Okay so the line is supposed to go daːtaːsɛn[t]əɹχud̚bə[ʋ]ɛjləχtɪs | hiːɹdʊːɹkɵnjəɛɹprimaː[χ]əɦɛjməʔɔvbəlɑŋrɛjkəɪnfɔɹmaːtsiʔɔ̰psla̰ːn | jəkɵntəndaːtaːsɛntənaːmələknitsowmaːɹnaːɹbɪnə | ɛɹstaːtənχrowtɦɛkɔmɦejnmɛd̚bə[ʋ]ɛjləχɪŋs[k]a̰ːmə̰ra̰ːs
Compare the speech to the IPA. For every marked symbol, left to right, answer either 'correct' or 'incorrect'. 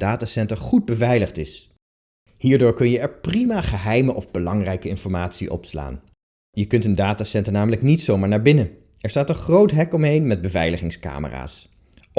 correct, incorrect, correct, incorrect, correct

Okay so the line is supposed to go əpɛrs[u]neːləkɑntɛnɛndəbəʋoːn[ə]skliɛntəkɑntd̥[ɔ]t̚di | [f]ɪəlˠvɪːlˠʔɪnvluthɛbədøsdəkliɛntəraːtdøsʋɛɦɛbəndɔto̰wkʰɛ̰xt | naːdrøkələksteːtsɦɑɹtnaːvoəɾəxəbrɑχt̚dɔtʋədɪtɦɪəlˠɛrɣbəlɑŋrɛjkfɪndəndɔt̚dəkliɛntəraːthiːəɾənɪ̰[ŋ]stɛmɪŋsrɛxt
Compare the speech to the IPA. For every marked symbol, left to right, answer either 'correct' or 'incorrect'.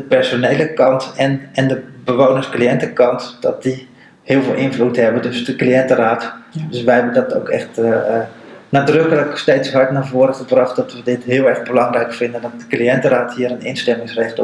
incorrect, correct, correct, incorrect, incorrect

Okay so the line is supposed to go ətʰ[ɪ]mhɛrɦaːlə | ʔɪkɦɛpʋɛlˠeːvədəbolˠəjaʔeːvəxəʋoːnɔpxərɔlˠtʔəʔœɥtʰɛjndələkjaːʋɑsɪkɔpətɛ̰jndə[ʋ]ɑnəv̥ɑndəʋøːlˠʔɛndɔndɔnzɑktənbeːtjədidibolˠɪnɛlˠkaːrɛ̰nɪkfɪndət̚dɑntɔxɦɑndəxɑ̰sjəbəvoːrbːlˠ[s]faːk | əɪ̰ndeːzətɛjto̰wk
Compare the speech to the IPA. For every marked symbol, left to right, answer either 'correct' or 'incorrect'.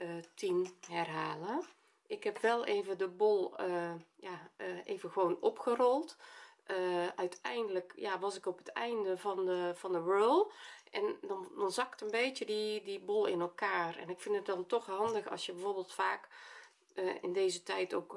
incorrect, incorrect, incorrect

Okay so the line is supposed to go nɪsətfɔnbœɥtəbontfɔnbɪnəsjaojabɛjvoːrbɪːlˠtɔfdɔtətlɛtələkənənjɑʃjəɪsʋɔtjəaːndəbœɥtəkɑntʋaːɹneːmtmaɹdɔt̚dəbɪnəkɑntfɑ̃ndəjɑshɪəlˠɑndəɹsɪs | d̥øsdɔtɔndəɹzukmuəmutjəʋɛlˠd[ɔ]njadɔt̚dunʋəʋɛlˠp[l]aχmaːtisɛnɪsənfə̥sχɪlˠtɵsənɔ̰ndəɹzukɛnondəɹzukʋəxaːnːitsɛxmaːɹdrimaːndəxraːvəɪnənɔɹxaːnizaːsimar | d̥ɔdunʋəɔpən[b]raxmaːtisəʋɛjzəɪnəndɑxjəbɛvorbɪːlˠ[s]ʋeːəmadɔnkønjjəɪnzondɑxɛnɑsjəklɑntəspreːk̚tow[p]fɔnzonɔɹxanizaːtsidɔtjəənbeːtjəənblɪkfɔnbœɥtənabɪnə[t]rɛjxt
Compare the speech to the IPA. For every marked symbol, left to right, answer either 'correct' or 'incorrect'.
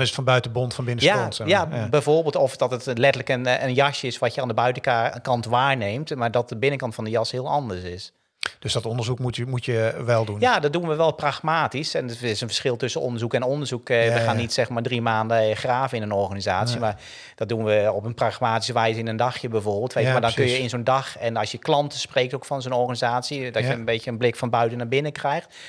incorrect, incorrect, incorrect, incorrect, incorrect, incorrect

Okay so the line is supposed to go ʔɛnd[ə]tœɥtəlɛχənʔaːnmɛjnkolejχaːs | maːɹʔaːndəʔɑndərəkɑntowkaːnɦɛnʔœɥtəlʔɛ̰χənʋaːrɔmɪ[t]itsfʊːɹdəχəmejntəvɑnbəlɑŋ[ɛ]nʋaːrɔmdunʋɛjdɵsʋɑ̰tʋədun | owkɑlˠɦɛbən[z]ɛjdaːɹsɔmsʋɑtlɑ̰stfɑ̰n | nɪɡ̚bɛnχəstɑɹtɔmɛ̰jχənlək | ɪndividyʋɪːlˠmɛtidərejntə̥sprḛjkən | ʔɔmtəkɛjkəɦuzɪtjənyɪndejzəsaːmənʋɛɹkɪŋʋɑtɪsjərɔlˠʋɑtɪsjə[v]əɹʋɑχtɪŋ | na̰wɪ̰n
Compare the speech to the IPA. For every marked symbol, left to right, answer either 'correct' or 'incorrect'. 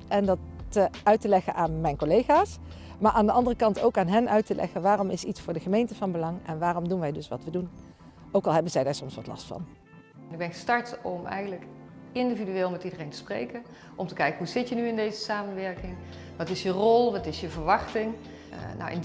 incorrect, incorrect, correct, correct, correct

